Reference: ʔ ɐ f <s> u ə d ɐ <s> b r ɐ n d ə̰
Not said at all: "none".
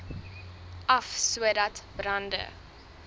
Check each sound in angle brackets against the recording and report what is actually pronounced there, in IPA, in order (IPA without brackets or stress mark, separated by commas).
s, t